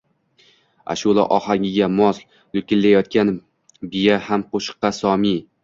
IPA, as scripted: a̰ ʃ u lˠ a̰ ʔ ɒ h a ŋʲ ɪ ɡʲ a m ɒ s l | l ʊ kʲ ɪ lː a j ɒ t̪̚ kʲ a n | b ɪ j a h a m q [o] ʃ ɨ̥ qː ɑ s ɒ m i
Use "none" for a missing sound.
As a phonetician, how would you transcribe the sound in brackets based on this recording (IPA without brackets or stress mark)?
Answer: o